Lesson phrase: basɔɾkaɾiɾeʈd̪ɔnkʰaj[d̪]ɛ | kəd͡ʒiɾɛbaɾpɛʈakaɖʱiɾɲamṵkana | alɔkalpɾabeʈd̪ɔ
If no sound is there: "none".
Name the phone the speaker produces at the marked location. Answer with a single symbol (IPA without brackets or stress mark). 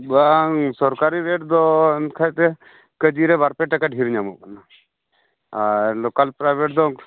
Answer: t̪